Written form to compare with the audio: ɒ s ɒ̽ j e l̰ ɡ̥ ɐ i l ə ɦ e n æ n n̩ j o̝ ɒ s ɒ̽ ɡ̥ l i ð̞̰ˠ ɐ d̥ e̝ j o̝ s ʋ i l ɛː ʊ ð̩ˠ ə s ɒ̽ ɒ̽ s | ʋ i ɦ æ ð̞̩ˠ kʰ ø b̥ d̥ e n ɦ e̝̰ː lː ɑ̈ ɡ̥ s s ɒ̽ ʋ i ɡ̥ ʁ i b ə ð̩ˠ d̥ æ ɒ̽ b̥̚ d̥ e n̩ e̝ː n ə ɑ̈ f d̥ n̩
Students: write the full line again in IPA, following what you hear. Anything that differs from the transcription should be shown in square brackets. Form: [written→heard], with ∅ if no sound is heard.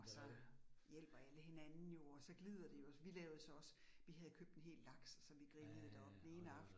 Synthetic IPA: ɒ s ɒ̽ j e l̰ [ɡ̥→b̥] ɐ [i→æ] l ə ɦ e n æ n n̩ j o̝ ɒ s ɒ̽ ɡ̥ l i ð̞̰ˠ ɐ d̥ e̝ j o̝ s ʋ i l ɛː ʊ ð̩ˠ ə s ɒ̽ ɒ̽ s | ʋ i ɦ æ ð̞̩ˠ kʰ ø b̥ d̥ e n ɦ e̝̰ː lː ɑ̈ ɡ̥ s s ɒ̽ ʋ i ɡ̥ ʁ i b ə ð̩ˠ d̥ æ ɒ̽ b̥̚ d̥ e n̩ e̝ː n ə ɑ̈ f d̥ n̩

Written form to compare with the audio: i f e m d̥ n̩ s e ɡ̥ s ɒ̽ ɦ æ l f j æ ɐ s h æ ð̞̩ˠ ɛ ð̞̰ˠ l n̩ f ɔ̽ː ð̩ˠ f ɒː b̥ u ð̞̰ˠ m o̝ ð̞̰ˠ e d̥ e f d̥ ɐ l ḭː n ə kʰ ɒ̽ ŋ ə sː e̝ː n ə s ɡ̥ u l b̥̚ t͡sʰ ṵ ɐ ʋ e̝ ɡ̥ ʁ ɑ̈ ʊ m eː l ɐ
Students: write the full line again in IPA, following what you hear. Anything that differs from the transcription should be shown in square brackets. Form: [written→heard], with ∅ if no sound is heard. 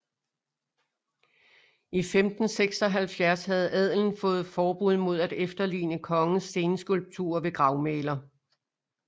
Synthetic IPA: i f e m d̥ n̩ s e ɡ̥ s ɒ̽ ɦ æ l f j æ ɐ s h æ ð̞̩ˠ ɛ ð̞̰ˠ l n̩ f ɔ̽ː ð̩ˠ f ɒː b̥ u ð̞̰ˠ m o̝ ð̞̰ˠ [e→æ] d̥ e f d̥ ɐ l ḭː n ə kʰ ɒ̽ ŋ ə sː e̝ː n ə s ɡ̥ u l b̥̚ t͡sʰ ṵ ɐ ʋ e̝ ɡ̥ ʁ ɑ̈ ʊ m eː l ɐ

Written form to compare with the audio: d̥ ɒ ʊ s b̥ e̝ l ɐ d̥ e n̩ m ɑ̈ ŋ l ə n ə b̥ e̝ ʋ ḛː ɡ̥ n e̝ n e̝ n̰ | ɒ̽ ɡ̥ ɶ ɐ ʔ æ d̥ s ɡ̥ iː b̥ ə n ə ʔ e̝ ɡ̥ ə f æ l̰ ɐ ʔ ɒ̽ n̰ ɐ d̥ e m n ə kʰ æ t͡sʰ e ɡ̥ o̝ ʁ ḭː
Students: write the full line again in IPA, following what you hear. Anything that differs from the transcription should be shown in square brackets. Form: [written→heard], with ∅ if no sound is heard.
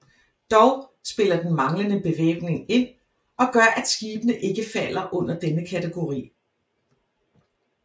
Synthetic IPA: d̥ ɒ ʊ s b̥ e̝ l ɐ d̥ e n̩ m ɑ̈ ŋ l ə n ə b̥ e̝ ʋ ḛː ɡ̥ n e̝ [n→ŋ] e̝ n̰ | ɒ̽ ɡ̥ ɶ ɐ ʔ æ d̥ s ɡ̥ iː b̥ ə n ə ʔ e̝ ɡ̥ ə f æ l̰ ɐ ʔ [ɒ̽→ɔ̽] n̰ ɐ d̥ e [m→∅] n ə kʰ æ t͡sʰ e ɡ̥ o̝ ʁ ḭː

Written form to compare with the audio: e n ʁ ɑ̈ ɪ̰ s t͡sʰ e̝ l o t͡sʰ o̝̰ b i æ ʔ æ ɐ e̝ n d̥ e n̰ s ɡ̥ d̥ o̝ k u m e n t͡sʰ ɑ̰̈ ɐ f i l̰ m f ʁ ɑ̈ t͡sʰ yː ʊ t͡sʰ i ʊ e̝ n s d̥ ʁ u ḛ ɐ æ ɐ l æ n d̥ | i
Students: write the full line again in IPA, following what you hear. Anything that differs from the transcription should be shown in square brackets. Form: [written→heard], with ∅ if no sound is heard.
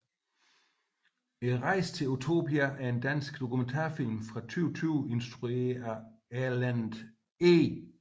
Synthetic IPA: e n ʁ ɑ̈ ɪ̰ s t͡sʰ e̝ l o t͡sʰ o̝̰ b i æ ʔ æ ɐ e̝ n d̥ [e→æ] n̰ s ɡ̥ d̥ o̝ k u m e n t͡sʰ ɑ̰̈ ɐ f i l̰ m f ʁ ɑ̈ t͡sʰ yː ʊ t͡sʰ [i→y] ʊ e̝ n s d̥ ʁ u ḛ ɐ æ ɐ l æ n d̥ | [i→e]

